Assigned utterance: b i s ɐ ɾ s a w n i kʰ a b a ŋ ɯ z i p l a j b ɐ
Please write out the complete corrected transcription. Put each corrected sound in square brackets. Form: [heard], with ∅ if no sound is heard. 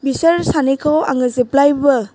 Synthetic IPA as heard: b i s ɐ ɾ s a [∅] n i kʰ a [w] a ŋ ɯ z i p l a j b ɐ

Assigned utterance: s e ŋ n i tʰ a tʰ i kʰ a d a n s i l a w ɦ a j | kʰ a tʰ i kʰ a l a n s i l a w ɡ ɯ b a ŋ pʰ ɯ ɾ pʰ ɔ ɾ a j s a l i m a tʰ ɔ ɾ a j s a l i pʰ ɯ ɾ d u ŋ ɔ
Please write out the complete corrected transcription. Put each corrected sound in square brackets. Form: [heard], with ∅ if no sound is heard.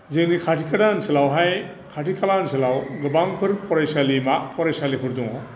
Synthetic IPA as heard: [z] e ŋ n i [kʰ] a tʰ i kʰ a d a n s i l a w ɦ a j | kʰ a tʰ i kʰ a l a n s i l a w ɡ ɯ b a ŋ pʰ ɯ ɾ pʰ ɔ ɾ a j s a l i m a [pʰ] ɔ ɾ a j s a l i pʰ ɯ ɾ d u ŋ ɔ

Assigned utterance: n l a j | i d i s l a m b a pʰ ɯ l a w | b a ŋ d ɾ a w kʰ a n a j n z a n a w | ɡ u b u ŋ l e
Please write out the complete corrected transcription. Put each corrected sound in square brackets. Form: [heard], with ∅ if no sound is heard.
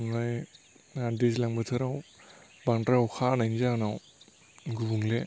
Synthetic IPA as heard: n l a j | [a] d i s l a [ŋ] b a [tʰ] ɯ [ɾ] a w | b a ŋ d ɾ a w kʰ a n a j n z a n a w | ɡ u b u ŋ l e

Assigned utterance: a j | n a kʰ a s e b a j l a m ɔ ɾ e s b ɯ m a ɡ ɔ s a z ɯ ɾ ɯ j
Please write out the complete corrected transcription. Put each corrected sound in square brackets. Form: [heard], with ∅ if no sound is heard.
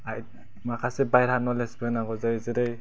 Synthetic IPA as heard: a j | [m] a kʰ a s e b a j [ɾ] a [n] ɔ [l] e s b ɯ [n] a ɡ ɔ [z] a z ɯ ɾ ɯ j

